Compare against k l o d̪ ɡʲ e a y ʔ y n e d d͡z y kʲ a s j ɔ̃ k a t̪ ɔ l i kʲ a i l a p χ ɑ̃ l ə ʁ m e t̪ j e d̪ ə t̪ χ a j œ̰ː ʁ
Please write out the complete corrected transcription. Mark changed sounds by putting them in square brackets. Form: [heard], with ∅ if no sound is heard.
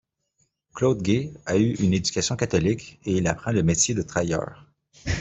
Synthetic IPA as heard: k l o d̪ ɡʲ e a y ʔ y n e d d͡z y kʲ a s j ɔ̃ k a t̪ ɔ l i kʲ [e] i l a p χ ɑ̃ l ə [∅] m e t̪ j e d̪ ə t̪ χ a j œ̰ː ʁ